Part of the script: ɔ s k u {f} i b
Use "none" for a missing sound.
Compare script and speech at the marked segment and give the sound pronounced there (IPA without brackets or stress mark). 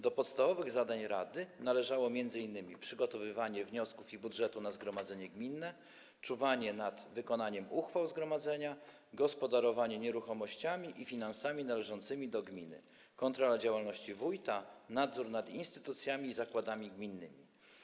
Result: f